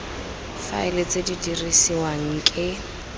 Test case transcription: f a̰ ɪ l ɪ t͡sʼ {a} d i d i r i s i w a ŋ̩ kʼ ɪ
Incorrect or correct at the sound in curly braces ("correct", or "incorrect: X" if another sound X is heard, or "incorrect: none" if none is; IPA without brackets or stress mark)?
incorrect: e